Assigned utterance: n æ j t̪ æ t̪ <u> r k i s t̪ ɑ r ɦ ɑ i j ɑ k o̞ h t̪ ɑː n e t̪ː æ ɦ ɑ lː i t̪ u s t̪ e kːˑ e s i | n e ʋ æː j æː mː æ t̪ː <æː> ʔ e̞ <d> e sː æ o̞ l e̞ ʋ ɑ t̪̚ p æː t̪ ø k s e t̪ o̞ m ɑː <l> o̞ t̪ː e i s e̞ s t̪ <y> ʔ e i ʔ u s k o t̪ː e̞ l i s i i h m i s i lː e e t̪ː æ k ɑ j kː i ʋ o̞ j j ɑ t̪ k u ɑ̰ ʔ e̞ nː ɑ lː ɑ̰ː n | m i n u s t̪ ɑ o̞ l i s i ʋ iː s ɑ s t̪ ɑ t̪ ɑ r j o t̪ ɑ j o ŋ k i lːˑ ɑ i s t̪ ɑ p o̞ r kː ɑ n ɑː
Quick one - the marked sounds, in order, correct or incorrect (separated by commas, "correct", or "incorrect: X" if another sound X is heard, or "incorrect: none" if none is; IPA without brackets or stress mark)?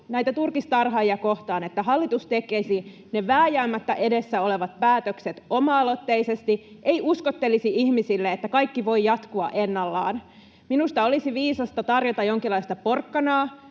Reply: correct, incorrect: æ, correct, correct, incorrect: i